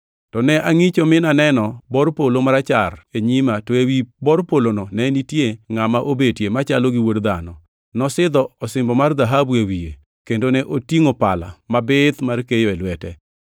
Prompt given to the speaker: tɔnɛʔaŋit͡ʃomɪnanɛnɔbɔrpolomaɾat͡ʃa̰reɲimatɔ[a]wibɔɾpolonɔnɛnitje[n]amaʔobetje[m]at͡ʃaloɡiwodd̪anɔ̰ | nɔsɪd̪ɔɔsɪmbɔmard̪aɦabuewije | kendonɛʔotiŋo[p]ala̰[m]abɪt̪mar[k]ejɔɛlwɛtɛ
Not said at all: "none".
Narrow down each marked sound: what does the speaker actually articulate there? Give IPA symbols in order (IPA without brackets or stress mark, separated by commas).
e, ŋ, m, p, m, k